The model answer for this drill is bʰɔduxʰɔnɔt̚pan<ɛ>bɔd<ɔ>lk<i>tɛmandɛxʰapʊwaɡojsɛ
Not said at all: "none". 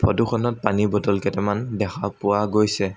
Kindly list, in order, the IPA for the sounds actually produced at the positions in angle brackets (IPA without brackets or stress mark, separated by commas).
i, ɔ, ɛ